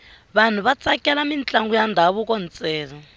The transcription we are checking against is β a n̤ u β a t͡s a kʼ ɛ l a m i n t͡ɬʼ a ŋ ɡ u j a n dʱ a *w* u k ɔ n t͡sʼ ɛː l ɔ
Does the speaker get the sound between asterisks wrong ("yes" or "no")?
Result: yes